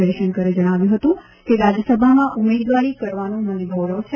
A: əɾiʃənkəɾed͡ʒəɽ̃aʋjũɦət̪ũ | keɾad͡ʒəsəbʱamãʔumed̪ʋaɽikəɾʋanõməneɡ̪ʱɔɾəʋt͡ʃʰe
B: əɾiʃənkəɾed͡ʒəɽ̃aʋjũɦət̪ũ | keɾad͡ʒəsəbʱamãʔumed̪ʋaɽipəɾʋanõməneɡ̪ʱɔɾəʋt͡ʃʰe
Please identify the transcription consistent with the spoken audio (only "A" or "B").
A